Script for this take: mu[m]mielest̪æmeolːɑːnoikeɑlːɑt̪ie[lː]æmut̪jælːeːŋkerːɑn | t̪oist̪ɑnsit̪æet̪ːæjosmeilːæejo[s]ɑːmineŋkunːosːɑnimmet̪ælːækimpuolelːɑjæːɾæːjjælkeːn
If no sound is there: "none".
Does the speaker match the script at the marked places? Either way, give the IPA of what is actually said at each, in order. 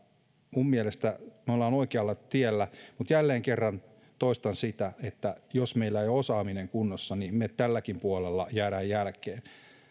m, lː, s

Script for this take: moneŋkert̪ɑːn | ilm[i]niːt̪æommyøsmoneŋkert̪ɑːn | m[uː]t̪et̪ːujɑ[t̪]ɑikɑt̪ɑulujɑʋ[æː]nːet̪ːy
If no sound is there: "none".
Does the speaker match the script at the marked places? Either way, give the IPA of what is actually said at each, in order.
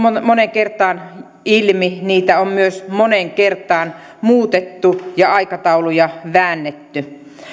i, uː, none, æː

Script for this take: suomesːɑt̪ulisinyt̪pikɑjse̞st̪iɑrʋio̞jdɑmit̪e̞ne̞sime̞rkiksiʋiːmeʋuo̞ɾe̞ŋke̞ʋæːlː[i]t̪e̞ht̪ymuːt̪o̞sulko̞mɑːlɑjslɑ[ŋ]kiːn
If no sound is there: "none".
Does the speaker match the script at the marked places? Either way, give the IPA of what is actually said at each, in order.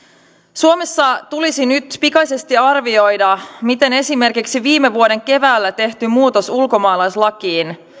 æ, none

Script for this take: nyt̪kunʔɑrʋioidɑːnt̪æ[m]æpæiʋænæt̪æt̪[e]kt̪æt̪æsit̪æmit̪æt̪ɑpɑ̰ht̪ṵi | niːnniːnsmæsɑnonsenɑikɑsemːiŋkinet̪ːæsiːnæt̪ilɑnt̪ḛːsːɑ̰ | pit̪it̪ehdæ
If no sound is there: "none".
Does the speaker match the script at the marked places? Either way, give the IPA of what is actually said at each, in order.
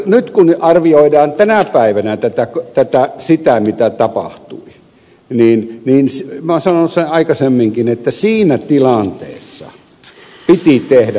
n, æ

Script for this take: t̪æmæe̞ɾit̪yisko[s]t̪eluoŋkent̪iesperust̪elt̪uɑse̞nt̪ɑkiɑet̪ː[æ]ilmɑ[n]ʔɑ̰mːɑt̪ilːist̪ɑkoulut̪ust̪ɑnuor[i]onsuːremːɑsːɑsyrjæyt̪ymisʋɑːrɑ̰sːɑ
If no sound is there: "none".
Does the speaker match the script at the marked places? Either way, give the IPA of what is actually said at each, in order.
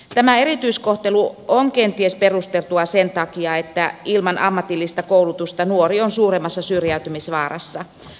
h, æ, n, i

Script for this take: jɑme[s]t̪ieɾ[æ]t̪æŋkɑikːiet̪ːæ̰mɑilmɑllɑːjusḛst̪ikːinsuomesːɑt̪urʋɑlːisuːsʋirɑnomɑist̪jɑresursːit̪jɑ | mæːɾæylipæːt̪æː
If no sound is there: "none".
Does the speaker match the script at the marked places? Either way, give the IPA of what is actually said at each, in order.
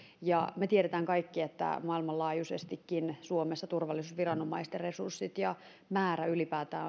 none, e

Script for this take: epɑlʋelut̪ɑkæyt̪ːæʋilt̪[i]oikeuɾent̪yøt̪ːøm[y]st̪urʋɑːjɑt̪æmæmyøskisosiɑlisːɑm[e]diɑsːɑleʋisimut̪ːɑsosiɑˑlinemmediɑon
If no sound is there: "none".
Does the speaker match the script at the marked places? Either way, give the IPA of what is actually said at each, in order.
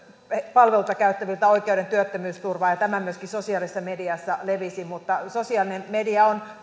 æ, yː, e

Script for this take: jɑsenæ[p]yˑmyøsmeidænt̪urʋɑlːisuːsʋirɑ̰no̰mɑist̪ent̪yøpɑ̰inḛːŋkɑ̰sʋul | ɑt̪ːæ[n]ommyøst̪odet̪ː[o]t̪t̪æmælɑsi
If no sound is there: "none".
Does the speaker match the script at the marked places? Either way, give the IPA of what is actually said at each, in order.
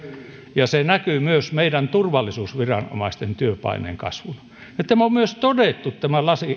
k, m, u

